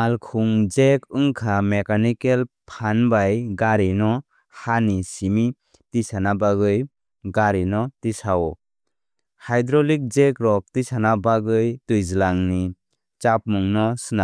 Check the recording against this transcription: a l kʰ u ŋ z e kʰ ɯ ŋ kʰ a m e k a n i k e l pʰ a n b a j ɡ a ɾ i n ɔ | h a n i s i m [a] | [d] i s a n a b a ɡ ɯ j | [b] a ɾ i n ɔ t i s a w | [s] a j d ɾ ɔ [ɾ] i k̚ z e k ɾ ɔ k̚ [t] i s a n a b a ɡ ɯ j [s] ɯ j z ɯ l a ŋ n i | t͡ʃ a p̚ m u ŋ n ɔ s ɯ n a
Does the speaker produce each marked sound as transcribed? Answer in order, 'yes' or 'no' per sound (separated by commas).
no, no, no, no, no, yes, no